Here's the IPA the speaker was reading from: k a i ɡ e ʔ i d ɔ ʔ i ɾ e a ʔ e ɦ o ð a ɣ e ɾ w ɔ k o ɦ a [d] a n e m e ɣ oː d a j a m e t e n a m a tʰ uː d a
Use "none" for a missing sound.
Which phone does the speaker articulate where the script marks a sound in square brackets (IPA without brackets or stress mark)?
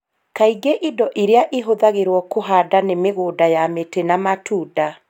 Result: d